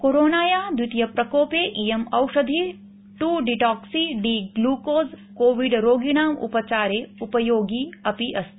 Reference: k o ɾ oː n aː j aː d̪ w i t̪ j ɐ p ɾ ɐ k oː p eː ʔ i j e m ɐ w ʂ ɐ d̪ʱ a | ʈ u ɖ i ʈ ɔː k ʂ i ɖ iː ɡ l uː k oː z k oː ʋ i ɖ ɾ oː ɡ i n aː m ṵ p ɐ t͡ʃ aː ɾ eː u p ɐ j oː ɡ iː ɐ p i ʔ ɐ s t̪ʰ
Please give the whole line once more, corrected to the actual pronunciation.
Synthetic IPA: k o ɾ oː n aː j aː d̪ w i t̪ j ɐ p ɾ ɐ k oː p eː ʔ i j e m ɐ w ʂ ɐ d̪ʱ i | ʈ u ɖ i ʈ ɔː k s i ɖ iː ɡ l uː k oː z k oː ʋ i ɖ ɾ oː ɡ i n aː m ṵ p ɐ t͡ʃ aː ɾ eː u p ɐ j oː ɡ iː ɐ p i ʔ ɐ s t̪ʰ

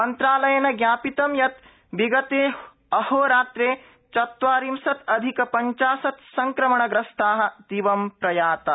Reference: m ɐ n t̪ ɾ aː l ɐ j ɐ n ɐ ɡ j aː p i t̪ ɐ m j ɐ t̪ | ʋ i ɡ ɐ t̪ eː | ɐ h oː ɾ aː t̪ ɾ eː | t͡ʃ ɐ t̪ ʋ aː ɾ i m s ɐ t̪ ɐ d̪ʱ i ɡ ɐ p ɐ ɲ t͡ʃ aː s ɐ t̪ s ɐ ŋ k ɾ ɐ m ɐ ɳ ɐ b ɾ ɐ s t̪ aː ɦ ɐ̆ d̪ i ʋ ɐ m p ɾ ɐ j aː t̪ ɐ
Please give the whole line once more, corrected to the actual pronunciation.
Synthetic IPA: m ɐ n t̪ ɾ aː l ɐ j ɐ n ɐ ɡ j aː p i t̪ ɐ m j ɐ t̪ | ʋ i ɡ ɐ t̪ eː | ɐ h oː ɾ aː t̪ ɾ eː | t͡ʃ ɐ t̪ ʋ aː ɾ i m s ɐ t̪ ɐ d̪ʱ i k ɐ p ɐ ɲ t͡ʃ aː s ɐ t̪ s ɐ ŋ k ɾ ɐ m ɐ ɳ ɐ ɡ ɾ ɐ s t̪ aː ɦ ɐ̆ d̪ i ʋ ɐ m p ɾ ɐ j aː t̪ ɐ

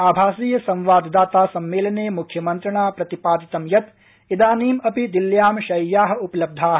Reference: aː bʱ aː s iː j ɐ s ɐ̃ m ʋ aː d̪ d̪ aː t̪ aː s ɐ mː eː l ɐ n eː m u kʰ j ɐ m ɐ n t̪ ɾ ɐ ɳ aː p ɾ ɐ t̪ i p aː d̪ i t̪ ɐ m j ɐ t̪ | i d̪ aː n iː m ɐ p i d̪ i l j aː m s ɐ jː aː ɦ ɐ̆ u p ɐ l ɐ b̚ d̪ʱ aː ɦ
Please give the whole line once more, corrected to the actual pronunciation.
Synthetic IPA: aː bʱ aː s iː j ɐ s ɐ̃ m ʋ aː d̪ d̪ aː t̪ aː s ɐ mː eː l ɐ n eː m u kʰ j ɐ m ɐ n t̪ ɾ ɐ ɳ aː p ɾ ɐ t̪ i p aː d̪ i t̪ ɐ m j ɐ t̪ | i d̪ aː n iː m ɐ p i d̪ i l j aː m ʃ ɐ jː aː ɦ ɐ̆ u p ɐ l ɐ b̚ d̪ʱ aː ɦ

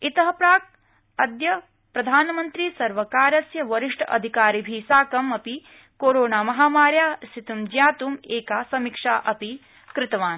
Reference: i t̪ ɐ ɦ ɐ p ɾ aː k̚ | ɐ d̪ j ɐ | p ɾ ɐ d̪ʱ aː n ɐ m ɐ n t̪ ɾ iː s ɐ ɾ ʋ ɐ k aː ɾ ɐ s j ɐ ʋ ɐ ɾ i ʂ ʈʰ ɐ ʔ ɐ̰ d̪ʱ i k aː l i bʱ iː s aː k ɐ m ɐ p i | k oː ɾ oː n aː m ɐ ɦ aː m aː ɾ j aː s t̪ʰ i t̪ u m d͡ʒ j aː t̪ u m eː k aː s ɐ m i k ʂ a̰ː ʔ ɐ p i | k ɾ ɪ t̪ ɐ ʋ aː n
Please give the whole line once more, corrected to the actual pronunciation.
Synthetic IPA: i t̪ ɐ ɦ ɐ p ɾ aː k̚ | ɐ d̪ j ɐ | p ɾ ɐ d̪ʱ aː n ɐ m ɐ n t̪ ɾ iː s ɐ ɾ ʋ ɐ k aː ɾ ɐ s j ɐ ʋ ɐ ɾ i ʂ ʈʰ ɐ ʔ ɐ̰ d̪ʱ i k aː ɾ i bʱ iː s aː k ɐ m ɐ p i | k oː ɾ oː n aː m ɐ ɦ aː m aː ɾ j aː s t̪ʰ i t̪ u m d͡ʒ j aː t̪ u m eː k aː s ɐ m i k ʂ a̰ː ʔ ɐ p i | k ɾ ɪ t̪ ɐ ʋ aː n

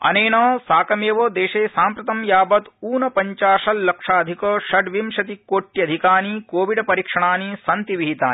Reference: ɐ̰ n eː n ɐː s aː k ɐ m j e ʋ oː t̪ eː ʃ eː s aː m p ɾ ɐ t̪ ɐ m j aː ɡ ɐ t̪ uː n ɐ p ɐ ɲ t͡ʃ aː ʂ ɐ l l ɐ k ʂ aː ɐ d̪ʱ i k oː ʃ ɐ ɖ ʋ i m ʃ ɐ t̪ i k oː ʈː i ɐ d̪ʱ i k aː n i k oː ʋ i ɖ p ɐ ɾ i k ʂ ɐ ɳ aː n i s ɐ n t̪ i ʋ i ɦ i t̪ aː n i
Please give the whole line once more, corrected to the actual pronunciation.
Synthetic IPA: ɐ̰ n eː n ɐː s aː k ɐ m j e ʋ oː d̪ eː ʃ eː s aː m p ɾ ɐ t̪ ɐ m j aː b ɐ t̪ uː n ɐ p ɐ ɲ t͡ʃ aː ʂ ɐ l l ɐ k ʂ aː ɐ d̪ʱ i k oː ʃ ɐ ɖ ʋ i m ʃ ɐ t̪ i k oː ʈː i ɐ d̪ʱ i k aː n i k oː ʋ i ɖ p ɐ ɾ i k ʂ ɐ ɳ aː n i s ɐ n t̪ i ʋ i ɦ i t̪ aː n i

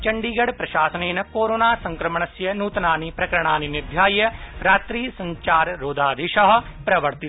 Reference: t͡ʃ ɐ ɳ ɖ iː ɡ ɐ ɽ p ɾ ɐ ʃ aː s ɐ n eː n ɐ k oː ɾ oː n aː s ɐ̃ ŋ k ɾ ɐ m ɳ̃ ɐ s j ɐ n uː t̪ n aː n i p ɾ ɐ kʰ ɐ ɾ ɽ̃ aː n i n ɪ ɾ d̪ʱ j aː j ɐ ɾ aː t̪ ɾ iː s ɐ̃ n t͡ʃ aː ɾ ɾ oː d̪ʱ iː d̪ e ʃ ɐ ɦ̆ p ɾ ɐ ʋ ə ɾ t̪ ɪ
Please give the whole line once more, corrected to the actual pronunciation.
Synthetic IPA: t͡ʃ ɐ ɳ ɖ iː ɡ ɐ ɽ p ɾ ɐ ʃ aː s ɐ n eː n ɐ k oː ɾ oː n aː s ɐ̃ ŋ k ɾ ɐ m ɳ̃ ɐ s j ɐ n uː t̪ n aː n i p ɾ ɐ k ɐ ɾ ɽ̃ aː n i n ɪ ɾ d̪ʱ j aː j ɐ ɾ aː t̪ ɾ iː s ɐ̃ ɲ t͡ʃ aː ɾ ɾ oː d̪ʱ aː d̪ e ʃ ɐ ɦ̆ p ɾ ɐ ʋ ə ɾ t̪ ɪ

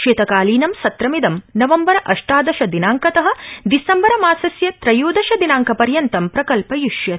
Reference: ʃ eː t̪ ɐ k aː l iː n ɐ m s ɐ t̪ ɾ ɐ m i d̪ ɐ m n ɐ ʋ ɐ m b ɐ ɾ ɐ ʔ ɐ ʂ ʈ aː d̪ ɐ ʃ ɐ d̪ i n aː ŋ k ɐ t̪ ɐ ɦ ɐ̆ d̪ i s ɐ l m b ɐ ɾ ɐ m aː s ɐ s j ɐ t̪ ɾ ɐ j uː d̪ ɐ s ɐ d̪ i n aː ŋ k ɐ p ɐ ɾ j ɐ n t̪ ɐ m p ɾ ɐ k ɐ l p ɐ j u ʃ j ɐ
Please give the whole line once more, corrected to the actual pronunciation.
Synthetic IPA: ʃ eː t̪ ɐ k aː l iː n ɐ m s ɐ t̪ ɾ ɐ m i d̪ ɐ m n ɐ ʋ ɐ m b ɐ ɾ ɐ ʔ ɐ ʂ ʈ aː d̪ ɐ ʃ ɐ d̪ i n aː ŋ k ɐ t̪ ɐ ɦ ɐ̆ d̪ i s ɐ m b ɐ ɾ ɐ m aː s ɐ s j ɐ t̪ ɾ ɐ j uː d̪ ɐ ʃ ɐ d̪ i n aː ŋ k ɐ p ɐ ɾ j ɐ n t̪ ɐ m p ɾ ɐ k ɐ l p ɐ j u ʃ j ɐ

